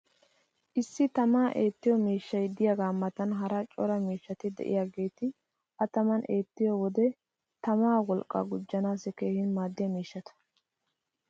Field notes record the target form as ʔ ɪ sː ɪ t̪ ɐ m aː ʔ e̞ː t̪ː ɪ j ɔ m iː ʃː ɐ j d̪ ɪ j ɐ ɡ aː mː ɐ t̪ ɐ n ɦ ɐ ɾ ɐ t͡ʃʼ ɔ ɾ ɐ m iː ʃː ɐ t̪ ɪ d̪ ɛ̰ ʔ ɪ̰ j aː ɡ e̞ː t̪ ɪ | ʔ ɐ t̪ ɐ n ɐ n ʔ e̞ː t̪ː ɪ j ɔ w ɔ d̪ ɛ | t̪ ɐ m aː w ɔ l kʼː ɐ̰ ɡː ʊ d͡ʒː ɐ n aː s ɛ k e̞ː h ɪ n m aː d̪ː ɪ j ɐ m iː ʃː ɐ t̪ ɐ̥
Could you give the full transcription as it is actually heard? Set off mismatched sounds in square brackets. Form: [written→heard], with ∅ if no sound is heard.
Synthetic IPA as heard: ʔ ɪ sː ɪ t̪ ɐ m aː ʔ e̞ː t̪ː ɪ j ɔ m iː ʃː ɐ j d̪ ɪ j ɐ ɡ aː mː ɐ t̪ ɐ n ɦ ɐ ɾ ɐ t͡ʃʼ ɔ ɾ ɐ m iː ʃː ɐ t̪ ɪ d̪ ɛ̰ ʔ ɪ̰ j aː ɡ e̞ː t̪ ɪ | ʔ ɐ t̪ ɐ [n→m] ɐ n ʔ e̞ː t̪ː ɪ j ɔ w ɔ d̪ ɛ | t̪ ɐ m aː w ɔ l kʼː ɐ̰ [ɡː→ɡ] ʊ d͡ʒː ɐ n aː s ɛ k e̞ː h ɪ n m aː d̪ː ɪ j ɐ m iː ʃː ɐ t̪ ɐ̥